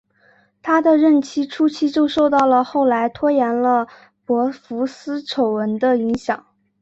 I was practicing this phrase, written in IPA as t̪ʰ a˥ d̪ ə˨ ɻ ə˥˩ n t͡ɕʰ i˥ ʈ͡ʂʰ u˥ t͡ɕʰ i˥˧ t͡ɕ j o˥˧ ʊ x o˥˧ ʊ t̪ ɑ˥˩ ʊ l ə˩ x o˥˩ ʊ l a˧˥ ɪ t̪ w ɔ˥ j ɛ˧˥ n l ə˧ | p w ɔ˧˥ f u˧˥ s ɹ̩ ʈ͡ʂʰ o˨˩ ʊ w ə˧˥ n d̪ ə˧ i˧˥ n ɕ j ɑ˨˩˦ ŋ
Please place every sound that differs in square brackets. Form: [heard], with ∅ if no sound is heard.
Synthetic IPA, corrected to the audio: t̪ʰ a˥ d̪ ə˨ ɻ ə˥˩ n t͡ɕʰ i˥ ʈ͡ʂʰ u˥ t͡ɕʰ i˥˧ t͡ɕ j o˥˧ ʊ [ʂ] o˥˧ ʊ t̪ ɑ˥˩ ʊ l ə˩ x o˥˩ ʊ l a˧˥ ɪ [t̪ʰ] w ɔ˥ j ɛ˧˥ n l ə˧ | p w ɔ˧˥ f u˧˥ s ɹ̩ ʈ͡ʂʰ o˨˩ ʊ w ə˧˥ n d̪ ə˧ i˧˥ [ŋ] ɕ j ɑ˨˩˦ ŋ